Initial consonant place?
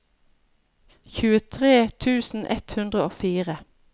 palatal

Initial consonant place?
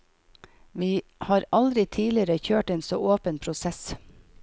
labial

